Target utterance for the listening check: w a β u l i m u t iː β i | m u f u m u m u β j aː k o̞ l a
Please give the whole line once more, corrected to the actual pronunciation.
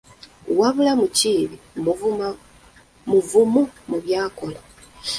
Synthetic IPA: w a β u l a m u c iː β i | m u v u m u m u β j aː k o̞ l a